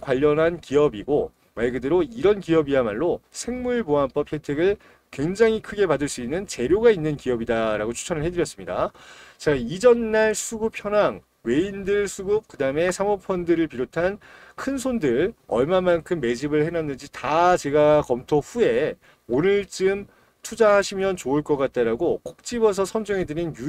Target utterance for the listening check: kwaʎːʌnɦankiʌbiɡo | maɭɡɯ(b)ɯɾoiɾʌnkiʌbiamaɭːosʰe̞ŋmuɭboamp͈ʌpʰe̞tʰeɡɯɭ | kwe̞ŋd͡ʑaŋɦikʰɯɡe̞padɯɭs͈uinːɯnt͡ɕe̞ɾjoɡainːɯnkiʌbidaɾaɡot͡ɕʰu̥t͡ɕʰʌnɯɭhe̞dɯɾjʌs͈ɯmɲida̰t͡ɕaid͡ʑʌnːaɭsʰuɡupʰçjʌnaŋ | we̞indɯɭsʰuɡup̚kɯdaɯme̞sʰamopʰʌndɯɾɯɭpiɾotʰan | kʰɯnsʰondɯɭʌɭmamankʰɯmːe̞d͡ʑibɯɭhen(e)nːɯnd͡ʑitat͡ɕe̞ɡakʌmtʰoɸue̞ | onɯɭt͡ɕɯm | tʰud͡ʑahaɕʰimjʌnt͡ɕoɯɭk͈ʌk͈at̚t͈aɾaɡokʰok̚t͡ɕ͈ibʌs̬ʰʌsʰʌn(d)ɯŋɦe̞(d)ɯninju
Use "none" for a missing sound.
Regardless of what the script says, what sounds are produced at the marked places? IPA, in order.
d, a, d͡ʑ, d

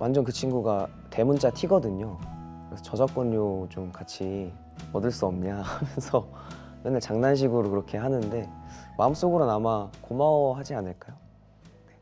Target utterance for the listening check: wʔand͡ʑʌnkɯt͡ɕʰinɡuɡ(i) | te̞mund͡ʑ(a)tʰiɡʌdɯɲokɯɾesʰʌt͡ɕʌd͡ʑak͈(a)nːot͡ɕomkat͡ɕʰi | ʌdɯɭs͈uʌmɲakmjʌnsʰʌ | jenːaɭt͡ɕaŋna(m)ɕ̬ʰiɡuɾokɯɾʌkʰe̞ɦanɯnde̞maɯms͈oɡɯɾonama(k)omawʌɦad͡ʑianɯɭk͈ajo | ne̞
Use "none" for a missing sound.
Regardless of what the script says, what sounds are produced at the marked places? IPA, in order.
a, a, ʌ, n, k

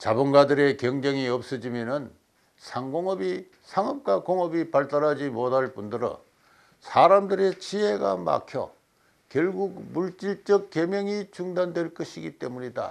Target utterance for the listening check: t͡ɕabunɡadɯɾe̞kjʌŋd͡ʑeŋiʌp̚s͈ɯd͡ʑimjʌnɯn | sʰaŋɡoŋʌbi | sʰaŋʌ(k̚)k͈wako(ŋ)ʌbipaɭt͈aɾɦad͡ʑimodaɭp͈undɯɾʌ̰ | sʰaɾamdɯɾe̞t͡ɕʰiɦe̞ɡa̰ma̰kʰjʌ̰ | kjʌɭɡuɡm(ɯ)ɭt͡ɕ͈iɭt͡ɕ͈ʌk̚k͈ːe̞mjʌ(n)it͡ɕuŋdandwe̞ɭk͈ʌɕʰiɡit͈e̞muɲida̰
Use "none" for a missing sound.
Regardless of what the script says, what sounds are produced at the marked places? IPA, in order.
p̚, ŋ, u, ŋ

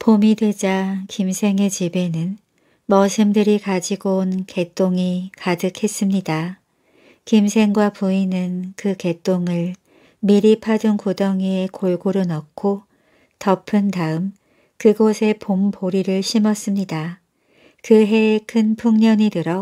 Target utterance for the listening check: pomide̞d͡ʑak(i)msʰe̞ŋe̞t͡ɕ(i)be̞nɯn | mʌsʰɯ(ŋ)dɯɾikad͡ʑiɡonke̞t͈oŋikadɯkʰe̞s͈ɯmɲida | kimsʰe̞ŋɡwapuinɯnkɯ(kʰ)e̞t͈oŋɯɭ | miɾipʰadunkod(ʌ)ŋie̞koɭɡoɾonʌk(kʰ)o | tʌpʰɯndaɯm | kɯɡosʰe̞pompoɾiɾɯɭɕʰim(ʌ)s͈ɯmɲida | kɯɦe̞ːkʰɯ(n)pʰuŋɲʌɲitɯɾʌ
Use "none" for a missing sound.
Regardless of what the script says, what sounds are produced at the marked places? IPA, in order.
i, i, m, k, ʌ, kʰ, ʌ, n

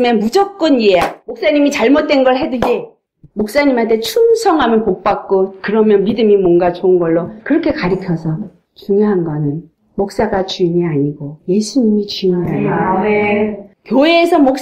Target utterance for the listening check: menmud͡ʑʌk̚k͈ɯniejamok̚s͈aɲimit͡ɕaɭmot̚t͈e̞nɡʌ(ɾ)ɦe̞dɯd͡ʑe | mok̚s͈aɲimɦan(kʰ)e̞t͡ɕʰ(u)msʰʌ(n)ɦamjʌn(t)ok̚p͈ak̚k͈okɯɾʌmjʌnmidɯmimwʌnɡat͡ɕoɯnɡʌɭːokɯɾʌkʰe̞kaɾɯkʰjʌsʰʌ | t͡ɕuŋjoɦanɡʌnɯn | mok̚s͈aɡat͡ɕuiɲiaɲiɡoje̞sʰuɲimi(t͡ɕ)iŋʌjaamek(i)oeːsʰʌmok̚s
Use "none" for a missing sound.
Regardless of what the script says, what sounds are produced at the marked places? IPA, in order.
ɭ, tʰ, u, ŋ, p, t͡ɕ, j

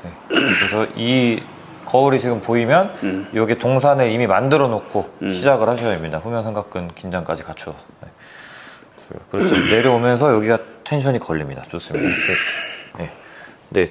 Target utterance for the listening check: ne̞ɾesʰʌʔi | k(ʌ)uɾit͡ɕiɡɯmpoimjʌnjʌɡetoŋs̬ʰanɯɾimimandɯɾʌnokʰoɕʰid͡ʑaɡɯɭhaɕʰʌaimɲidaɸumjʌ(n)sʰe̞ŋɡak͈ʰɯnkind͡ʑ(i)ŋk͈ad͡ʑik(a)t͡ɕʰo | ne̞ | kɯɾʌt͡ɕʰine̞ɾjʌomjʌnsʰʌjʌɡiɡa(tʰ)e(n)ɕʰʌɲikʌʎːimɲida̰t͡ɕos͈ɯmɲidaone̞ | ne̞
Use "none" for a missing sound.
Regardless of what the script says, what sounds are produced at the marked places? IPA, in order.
ʌ, ŋ, a, a, tʰ, n

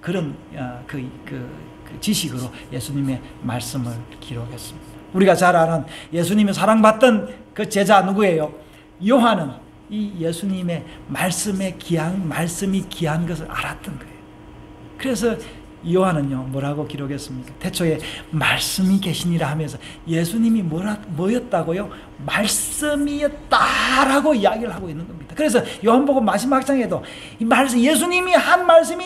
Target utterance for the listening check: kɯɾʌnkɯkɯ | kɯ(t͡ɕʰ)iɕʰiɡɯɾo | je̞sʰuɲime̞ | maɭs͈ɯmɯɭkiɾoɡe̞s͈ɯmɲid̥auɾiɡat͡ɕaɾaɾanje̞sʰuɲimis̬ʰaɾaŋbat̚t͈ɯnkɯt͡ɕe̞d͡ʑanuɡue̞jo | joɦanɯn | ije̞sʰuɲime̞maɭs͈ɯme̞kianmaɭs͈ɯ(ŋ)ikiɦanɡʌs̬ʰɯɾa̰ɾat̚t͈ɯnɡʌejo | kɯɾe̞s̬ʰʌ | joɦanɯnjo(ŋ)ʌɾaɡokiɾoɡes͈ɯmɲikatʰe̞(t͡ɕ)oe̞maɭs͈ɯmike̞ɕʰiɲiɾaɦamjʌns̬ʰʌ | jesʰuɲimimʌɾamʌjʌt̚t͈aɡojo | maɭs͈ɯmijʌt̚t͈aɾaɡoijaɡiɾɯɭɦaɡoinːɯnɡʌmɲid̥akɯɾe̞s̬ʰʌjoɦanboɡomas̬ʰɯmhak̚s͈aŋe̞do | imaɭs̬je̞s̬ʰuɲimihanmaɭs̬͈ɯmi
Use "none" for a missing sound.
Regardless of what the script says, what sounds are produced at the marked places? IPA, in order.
t͡ɕ, m, m, t͡ɕʰ

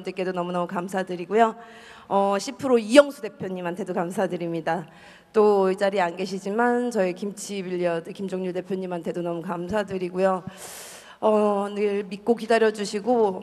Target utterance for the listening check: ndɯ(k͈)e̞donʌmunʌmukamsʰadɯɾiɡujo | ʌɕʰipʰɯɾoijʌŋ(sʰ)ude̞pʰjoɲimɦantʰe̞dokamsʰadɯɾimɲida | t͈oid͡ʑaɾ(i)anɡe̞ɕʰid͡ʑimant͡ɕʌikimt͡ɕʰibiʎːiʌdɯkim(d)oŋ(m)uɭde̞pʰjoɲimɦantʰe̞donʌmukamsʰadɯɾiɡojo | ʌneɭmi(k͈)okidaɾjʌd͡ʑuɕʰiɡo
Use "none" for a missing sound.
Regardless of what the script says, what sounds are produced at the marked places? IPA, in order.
k͈, sʰ, i, d͡ʑ, ɲ, k͈

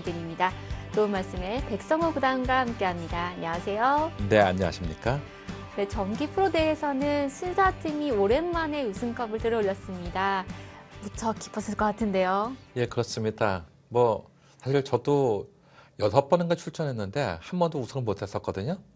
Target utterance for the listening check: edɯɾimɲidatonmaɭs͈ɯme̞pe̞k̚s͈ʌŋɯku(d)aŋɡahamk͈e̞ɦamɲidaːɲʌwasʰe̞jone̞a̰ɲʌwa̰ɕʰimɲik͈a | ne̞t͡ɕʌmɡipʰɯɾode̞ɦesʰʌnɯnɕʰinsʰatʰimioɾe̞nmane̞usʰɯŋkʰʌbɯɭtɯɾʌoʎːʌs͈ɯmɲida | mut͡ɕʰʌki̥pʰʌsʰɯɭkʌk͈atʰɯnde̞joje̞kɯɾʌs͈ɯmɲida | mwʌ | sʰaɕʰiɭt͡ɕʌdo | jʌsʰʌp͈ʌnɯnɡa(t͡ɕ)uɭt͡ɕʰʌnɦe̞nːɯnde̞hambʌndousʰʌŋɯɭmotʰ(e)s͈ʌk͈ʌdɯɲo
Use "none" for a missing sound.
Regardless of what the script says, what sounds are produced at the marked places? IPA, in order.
d, t͡ɕʰ, e

